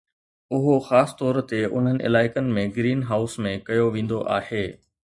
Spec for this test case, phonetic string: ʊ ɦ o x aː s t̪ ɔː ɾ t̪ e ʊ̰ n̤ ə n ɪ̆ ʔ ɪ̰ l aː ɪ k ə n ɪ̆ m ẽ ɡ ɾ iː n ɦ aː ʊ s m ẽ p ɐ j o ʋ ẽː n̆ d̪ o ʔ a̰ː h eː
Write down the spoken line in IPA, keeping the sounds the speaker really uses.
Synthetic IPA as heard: ʊ ɦ o x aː s t̪ ɔː ɾ t̪ e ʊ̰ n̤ ə n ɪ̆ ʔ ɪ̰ l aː ɪ k ə n ɪ̆ m ẽ ɡ ɾ iː n ɦ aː ʊ s m ẽ k ɐ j o ʋ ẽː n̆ d̪ o ʔ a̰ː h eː